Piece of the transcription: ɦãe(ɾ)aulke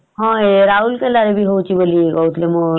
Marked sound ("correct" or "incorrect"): correct